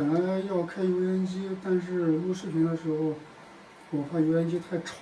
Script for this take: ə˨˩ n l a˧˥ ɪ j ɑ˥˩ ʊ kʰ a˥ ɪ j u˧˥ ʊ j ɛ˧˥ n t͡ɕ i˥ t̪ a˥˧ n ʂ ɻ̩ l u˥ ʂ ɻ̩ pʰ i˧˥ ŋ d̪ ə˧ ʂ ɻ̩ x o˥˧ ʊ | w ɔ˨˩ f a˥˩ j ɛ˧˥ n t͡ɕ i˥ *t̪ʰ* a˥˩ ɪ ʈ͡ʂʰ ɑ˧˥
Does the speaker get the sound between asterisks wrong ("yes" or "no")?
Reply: no